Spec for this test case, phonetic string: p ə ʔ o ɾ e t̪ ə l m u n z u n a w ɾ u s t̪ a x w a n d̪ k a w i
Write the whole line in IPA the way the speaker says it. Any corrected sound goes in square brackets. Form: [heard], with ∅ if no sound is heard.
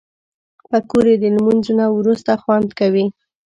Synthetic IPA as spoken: p ə [k] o ɾ e [d̪] ə l m u n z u n a w ɾ u s t̪ a x w a n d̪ k a w i

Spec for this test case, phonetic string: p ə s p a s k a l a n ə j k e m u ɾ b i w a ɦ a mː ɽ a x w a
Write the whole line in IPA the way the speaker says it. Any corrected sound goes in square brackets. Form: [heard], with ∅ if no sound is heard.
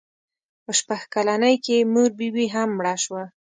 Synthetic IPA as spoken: p ə [ʃ] p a [x] k a l a n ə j k e m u ɾ b i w [i] ɦ a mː ɽ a [ʃ] w a

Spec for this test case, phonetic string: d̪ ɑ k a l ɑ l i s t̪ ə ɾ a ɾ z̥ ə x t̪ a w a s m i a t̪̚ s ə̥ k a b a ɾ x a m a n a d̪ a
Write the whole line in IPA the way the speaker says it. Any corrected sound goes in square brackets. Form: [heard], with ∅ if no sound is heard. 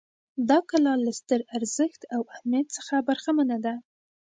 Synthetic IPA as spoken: d̪ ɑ k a l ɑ l [a] s t̪ ə ɾ a ɾ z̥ ə x t̪ a w a [h] m [j] a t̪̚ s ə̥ [x] a b a ɾ x a m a n a d̪ a

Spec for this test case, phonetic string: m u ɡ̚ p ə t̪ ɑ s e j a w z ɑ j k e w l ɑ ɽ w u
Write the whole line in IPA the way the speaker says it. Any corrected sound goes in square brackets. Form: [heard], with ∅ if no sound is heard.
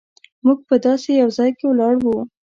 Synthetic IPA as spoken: m u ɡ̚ p ə [d̪] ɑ s e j a w z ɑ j k e w l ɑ ɽ w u

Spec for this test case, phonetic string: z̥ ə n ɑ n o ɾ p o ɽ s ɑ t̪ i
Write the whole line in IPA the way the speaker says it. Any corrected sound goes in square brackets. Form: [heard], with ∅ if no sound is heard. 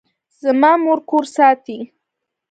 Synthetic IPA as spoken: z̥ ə [m] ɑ [m] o ɾ [k] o [ɾ] s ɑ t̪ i

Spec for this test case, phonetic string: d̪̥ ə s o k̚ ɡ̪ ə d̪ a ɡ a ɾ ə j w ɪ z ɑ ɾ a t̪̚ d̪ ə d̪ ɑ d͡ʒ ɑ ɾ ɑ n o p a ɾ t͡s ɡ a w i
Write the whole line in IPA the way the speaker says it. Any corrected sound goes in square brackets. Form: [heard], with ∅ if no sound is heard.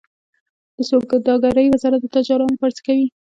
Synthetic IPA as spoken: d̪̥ ə s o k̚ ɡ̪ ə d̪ [ɑ] ɡ a ɾ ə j w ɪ z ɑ ɾ a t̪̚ d̪ ə [t̪] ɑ d͡ʒ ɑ ɾ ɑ n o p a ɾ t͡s [k] a w i

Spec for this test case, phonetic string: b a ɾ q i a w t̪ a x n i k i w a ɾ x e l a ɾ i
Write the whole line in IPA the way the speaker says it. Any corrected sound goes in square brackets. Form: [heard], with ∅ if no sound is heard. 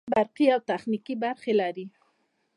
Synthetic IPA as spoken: b a ɾ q i a w t̪ a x n i k i [b] a ɾ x e l a ɾ i

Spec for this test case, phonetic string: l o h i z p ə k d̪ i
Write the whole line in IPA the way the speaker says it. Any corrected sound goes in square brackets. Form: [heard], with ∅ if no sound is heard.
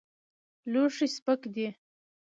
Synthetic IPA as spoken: l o [ʂ] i [s] p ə k d̪ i

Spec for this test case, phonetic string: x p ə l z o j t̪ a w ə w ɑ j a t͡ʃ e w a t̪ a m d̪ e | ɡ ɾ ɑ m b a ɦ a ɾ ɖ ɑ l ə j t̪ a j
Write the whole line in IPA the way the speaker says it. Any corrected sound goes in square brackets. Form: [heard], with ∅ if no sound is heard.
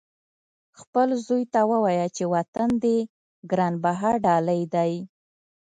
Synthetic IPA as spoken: x p ə l z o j t̪ a w ə w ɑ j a t͡ʃ e w a t̪ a [n] d̪ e | ɡ ɾ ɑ [n] b a ɦ a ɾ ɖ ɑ l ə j [d̪] a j

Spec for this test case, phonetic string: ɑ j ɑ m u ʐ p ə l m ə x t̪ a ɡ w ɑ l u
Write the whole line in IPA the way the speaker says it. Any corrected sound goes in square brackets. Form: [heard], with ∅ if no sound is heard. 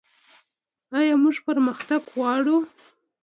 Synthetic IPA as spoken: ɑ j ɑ m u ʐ p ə [ɾ] m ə x t̪ a ɡ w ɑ [ɽ] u

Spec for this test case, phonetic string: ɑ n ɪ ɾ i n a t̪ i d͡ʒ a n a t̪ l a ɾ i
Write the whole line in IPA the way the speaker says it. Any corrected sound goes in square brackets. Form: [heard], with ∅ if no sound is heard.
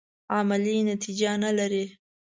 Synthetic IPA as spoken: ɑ [m] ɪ [l] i n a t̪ i d͡ʒ a n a [∅] l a ɾ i

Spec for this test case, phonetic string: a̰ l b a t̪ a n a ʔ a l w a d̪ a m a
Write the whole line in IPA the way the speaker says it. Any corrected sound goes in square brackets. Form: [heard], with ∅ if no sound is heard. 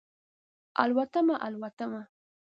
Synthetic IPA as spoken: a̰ l [w] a t̪ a [m] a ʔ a l w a [t̪] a m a

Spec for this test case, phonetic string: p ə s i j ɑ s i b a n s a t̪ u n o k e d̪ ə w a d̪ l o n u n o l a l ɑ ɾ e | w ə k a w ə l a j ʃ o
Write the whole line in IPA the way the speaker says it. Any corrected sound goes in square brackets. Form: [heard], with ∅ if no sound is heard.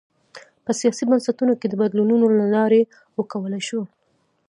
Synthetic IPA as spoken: p ə s i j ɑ s i b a n s a t̪ u n o k e d̪ ə [b] a d̪ l [u] n u n o l a l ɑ ɾ e | w ə k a w ə l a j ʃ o

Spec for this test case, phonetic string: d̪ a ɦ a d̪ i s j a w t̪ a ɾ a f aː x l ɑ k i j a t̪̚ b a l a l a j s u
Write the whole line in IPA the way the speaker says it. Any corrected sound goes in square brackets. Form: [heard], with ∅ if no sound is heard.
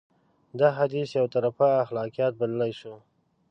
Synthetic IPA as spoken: d̪ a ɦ a d̪ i s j a w t̪ a ɾ a f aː x l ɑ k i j [ɑ] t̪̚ b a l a l a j [ʃ] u

